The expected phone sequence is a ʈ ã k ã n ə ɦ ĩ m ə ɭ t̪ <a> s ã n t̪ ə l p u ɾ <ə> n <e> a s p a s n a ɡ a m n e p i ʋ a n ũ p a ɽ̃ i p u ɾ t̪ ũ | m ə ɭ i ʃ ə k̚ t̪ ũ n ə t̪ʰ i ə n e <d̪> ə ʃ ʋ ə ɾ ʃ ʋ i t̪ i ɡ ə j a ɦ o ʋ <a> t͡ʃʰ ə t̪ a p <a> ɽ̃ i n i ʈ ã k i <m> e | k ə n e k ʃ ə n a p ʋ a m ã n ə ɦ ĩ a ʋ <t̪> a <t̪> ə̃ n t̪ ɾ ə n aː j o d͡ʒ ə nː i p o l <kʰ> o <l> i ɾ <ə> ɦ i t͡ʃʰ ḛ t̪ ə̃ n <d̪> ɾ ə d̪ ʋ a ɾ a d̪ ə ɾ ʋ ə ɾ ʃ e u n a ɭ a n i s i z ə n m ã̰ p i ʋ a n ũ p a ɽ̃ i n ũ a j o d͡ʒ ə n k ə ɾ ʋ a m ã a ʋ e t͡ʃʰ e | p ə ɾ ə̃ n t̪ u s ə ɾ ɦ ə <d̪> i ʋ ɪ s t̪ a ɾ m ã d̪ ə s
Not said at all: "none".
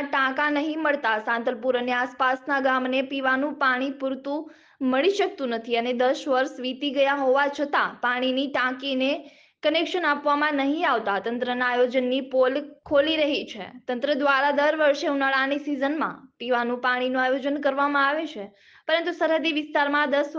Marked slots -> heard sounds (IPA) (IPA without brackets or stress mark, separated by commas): a, ə, e, d̪, a, a, n, t̪, t̪, kʰ, l, ə, t̪, d̪